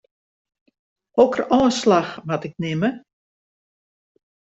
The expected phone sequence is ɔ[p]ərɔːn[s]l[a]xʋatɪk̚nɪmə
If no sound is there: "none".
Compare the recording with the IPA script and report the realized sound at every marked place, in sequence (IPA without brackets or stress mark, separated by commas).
k, s, a